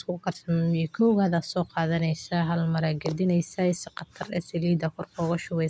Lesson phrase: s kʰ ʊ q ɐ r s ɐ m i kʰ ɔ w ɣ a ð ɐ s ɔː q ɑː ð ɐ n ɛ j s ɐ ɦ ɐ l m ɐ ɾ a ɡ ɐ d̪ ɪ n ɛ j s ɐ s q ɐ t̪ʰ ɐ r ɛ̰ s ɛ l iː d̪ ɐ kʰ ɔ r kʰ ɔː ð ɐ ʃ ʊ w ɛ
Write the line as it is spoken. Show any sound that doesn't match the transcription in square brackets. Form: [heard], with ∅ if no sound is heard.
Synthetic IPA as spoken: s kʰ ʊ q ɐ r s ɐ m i kʰ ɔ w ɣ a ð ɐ s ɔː q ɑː ð ɐ n ɛ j s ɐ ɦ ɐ l m ɐ ɾ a ɡ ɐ d̪ ɪ n ɛ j s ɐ s q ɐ t̪ʰ ɐ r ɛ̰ s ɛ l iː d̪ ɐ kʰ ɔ r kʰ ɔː [ɣ] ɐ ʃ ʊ w ɛ

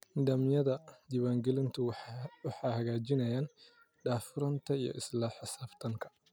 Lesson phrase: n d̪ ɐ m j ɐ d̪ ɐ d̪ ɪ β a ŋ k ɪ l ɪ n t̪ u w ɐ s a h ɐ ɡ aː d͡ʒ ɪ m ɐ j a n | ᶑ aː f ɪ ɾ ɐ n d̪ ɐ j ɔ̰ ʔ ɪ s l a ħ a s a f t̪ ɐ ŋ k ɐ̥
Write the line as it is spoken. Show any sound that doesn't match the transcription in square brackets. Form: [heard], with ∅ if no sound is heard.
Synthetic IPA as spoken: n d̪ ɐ m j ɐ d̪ ɐ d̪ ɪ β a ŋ [ɡ] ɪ l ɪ n t̪ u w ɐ [ħ] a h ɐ ɡ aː d͡ʒ ɪ [n] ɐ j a n | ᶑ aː f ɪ ɾ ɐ n [t̪] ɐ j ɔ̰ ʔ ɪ s l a ħ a s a f t̪ ɐ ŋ k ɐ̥

